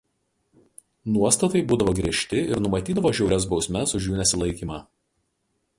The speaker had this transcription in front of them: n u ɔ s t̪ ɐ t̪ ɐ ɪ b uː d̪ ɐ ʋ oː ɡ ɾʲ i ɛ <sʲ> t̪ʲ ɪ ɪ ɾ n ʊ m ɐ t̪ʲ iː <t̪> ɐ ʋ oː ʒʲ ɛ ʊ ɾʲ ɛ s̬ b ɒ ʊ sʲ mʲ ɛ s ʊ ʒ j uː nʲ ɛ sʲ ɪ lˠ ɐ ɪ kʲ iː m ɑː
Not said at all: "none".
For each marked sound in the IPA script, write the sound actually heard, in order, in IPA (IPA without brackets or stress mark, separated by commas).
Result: ʃʲ, d̪